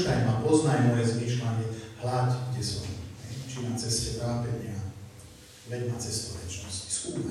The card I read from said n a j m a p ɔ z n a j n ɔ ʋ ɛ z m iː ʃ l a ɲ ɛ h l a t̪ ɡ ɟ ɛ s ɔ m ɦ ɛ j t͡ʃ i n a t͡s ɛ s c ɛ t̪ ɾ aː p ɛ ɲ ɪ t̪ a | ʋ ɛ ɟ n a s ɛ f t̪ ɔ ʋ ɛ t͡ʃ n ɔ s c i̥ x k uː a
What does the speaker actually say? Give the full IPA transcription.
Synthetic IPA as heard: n a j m a p ɔ z n a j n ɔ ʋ ɛ z m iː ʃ l a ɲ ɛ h l a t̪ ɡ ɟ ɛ s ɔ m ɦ ɛ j t͡ʃ i n a t͡s ɛ s c ɛ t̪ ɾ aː p ɛ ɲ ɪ a | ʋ ɛ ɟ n a t͡s ɛ s t̪ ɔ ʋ ɛ t͡ʃ n ɔ s c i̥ s k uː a